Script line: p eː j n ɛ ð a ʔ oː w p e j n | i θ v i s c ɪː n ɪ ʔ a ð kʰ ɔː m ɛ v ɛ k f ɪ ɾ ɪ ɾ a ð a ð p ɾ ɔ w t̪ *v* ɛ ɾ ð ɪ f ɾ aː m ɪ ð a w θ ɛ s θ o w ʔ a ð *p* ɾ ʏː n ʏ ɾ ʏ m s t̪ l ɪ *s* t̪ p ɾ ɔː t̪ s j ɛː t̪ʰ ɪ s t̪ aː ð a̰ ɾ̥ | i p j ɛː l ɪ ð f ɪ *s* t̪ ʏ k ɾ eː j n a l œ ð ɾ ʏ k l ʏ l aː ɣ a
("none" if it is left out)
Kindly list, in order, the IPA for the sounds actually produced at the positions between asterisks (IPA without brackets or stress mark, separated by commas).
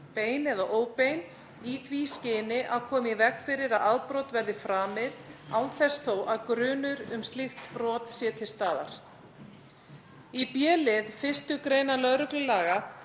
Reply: v, k, x, s